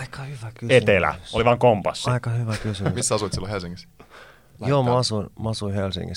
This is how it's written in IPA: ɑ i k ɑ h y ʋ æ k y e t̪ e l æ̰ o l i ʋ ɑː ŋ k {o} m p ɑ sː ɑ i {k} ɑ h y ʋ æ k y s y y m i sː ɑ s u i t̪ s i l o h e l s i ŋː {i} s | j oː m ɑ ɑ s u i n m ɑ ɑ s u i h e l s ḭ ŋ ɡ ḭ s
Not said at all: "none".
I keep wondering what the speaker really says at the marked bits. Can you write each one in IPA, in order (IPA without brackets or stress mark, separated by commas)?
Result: o, k, i